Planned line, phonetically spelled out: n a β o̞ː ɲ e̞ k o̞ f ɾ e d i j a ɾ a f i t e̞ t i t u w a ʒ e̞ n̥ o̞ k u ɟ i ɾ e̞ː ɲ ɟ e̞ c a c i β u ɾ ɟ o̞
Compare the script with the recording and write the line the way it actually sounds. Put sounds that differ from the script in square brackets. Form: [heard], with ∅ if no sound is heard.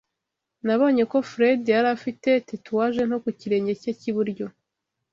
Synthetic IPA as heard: n a β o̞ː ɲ e̞ k o̞ f ɾ e d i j a ɾ a f i t e̞ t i t u w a ʒ e̞ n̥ o̞ k u [c] i ɾ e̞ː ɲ ɟ e̞ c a c i β u ɾ ɟ o̞